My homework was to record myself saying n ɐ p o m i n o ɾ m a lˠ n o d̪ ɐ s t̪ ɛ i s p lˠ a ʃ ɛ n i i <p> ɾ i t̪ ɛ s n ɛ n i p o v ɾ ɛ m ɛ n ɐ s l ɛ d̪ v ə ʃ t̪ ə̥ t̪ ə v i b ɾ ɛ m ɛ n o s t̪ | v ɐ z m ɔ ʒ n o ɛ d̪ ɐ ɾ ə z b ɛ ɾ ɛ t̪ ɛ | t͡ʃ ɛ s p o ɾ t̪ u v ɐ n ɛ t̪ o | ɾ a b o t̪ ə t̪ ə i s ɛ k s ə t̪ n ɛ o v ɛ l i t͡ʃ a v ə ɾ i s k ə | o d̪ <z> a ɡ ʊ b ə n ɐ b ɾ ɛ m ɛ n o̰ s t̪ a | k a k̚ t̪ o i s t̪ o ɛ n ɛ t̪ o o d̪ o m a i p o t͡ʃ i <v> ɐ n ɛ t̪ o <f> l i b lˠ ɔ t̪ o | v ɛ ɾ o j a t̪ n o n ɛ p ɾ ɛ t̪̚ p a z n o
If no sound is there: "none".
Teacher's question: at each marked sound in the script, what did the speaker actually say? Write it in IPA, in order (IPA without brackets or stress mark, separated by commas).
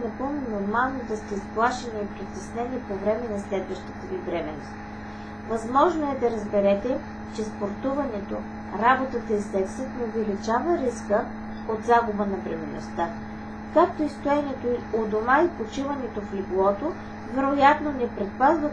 p, z, v, f